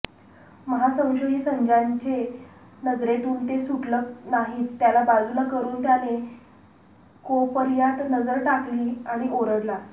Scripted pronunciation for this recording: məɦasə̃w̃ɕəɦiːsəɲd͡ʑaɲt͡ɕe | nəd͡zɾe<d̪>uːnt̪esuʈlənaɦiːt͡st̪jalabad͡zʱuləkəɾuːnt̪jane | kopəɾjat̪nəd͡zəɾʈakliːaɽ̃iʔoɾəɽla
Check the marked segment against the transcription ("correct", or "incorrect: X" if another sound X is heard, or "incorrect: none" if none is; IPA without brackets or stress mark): incorrect: t̪